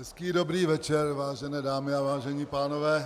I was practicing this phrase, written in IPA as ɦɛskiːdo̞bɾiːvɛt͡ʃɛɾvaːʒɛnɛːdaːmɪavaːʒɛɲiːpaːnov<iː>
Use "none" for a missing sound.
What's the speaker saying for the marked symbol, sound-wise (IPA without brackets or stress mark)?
ɛː